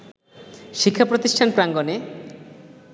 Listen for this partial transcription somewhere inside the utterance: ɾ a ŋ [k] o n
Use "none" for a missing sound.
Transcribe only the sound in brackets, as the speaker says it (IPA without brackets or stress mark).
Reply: ɡ